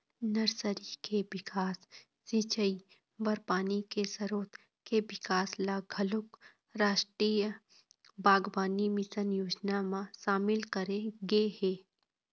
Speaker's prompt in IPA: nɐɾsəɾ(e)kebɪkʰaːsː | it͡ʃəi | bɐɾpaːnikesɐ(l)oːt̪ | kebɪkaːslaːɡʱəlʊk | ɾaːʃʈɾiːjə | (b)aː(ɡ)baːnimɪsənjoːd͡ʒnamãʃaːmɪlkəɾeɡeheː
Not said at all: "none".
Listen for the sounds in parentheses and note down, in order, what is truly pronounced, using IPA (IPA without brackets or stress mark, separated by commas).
i, ɾ, b, ɡ